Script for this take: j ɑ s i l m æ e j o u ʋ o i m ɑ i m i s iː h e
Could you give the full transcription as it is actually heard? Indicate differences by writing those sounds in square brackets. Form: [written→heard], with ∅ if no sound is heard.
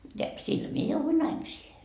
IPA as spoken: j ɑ s i l m [æ→i] e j o u ʋ [o→u] i [m→n] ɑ i m i s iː h e